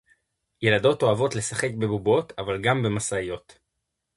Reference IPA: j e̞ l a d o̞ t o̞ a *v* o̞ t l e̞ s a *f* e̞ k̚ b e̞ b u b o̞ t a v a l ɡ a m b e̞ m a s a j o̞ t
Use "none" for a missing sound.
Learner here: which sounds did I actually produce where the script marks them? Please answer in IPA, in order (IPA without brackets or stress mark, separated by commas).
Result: v, χ